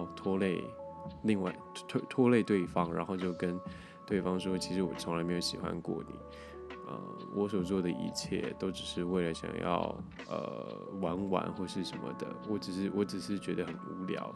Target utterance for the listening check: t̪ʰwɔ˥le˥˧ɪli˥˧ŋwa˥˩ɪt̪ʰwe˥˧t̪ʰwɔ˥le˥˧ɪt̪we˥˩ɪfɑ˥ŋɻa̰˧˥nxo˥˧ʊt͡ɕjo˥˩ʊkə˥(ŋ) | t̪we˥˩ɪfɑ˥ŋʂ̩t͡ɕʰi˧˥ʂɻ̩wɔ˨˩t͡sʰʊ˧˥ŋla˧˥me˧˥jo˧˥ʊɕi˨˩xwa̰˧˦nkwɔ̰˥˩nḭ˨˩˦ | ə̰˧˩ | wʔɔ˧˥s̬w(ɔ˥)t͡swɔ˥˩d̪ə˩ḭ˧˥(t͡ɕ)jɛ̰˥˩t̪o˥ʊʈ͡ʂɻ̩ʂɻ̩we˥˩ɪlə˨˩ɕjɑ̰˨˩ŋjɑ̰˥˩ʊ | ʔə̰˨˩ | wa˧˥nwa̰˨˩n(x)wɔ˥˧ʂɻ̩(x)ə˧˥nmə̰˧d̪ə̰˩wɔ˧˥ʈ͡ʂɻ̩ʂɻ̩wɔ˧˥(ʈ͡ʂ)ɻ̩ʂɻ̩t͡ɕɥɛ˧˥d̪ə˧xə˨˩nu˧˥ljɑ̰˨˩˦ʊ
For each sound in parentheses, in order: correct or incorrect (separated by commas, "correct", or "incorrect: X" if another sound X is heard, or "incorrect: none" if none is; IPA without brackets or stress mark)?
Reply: incorrect: n, incorrect: ɔ˨˩, incorrect: t͡ɕʰ, correct, incorrect: ʂ, correct